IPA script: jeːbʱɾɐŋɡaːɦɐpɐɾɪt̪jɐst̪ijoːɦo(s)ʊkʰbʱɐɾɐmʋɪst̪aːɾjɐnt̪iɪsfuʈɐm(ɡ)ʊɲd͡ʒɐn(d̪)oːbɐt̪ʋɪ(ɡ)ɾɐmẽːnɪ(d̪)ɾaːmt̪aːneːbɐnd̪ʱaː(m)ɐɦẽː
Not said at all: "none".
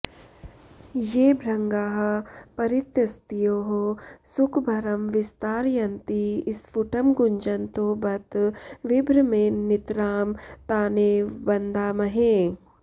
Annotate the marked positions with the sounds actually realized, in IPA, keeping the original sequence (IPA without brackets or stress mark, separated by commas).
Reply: s, ɡ, t̪, b, t̪, m